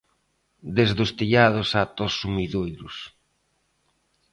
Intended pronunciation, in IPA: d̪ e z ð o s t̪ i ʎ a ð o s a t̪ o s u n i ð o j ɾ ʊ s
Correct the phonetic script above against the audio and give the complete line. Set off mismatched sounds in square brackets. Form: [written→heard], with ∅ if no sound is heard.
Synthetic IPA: d̪ e z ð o s t̪ i ʎ a ð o s a t̪ o s u [n→m] i ð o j ɾ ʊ s